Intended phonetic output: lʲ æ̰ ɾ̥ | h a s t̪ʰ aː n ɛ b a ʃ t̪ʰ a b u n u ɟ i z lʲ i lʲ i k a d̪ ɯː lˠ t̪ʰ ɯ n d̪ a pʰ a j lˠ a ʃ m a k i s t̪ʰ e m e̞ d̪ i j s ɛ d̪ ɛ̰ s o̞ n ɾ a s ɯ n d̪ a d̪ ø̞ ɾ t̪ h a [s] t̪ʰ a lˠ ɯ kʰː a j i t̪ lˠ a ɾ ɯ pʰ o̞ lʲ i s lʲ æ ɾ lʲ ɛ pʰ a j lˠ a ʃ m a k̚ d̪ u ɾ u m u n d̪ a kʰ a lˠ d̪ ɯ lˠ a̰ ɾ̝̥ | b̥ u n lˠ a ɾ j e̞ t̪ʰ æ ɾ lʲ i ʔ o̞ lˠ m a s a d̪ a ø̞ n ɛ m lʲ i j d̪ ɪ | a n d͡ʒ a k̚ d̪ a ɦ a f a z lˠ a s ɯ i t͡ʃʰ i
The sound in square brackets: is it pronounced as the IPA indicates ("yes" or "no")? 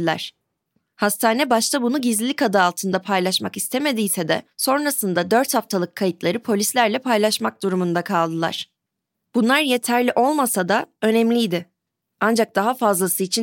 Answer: no